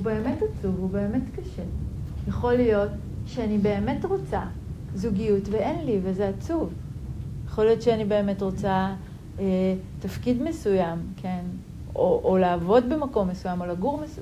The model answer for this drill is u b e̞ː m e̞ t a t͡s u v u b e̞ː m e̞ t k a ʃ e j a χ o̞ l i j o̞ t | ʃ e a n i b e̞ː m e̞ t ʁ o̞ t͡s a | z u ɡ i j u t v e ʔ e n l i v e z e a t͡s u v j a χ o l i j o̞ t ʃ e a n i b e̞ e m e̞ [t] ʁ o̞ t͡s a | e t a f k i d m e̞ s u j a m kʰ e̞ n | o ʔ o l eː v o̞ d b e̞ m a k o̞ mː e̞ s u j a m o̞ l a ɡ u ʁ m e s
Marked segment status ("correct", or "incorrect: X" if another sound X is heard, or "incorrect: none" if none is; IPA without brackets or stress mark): correct